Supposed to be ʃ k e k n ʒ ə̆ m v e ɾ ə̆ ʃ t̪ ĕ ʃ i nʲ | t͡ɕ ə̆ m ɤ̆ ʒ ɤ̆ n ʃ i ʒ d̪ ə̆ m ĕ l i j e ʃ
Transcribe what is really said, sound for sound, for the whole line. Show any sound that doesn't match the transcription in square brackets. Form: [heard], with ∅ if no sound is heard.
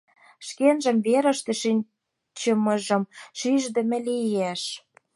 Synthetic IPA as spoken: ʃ k e [∅] n ʒ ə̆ m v e ɾ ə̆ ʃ t̪ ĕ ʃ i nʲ | t͡ɕ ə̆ m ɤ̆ ʒ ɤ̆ [m] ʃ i ʒ d̪ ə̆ m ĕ l i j e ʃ